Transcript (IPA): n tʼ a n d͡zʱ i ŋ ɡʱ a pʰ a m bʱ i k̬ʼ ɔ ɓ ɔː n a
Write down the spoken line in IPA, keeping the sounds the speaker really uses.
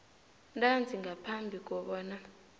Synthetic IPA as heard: n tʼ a n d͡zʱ i ŋ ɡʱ a pʰ a m bʱ i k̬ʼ ɔ ɓ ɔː n a